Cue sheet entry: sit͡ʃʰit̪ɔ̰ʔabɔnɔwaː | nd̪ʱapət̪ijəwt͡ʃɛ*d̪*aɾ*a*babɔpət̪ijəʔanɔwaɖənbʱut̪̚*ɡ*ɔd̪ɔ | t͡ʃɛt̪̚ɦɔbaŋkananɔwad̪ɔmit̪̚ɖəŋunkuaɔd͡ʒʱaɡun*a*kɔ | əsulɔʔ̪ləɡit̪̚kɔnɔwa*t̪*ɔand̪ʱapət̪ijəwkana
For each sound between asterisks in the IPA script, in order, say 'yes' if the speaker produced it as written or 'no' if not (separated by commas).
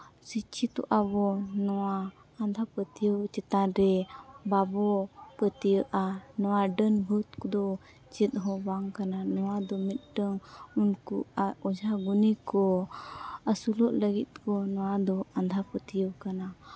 no, no, no, no, no